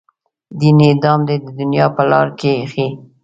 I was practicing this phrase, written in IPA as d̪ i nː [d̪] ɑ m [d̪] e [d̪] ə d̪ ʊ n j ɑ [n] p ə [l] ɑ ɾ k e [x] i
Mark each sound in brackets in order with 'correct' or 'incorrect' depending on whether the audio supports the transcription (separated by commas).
correct, correct, correct, incorrect, correct, correct